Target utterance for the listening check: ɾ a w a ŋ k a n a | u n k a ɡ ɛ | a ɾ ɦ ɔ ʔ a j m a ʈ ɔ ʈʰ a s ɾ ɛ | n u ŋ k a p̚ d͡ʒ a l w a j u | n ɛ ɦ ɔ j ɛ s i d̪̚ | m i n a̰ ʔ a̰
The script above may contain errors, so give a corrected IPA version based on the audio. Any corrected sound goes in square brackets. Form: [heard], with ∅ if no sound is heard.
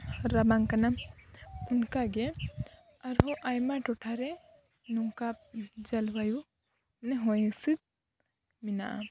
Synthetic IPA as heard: ɾ a [b] a ŋ k a n a | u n k a ɡ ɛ | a ɾ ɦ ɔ ʔ a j m a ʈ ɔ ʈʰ a [∅] ɾ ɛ | n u ŋ k a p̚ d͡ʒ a l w a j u | n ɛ ɦ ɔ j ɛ s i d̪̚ | m i n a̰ ʔ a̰